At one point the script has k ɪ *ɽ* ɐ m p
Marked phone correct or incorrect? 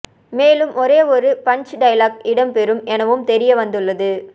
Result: correct